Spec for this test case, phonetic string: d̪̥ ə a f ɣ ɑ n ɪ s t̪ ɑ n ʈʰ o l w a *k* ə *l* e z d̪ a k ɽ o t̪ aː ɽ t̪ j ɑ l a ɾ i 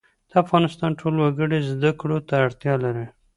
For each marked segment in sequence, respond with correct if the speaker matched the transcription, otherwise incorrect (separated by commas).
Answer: incorrect, incorrect